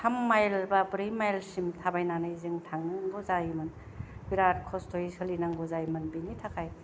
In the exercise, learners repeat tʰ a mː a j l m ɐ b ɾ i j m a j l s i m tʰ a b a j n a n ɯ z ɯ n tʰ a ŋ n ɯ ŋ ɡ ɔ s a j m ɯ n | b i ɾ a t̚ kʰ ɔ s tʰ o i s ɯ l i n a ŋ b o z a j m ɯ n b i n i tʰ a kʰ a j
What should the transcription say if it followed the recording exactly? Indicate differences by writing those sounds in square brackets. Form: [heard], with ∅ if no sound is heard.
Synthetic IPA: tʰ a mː a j l [b] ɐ b ɾ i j m a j l s i m tʰ a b a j n a n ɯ z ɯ [ŋ] tʰ a ŋ n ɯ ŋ ɡ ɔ [z] a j m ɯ n | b i ɾ a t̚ kʰ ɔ s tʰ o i s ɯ l i n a ŋ [ɡ] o z a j m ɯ n b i n i tʰ a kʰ a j